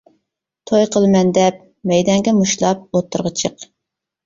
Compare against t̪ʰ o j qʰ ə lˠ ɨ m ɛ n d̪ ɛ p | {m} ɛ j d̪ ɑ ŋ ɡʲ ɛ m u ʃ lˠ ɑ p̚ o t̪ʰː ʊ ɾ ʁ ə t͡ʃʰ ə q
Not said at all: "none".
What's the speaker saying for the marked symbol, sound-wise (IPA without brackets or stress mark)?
m